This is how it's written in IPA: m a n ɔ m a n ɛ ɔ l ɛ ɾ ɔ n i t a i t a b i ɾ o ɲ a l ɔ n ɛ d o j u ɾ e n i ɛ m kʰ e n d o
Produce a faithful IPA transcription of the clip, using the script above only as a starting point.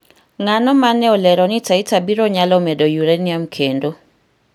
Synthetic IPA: ŋ a n ɔ m a n ɛ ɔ l ɛ ɾ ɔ n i t a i t a b i ɾ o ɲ a l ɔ m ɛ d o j u ɾ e n i a m kʰ e n d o